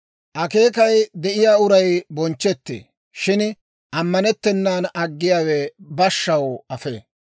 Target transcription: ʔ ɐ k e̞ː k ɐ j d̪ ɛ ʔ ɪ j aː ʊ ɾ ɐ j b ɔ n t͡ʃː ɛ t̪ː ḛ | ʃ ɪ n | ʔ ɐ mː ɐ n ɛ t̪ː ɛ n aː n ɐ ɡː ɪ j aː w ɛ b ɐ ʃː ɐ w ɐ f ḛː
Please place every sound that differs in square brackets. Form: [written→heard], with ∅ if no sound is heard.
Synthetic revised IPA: ʔ ɐ k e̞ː k ɐ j d̪ ɛ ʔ ɪ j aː ʊ ɾ ɐ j b ɔ n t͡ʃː ɛ t̪ː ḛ | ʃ ɪ n | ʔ ɐ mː ɐ n ɛ t̪ː ɛ [n→nː] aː n ɐ ɡː ɪ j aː w ɛ b ɐ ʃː ɐ w ɐ f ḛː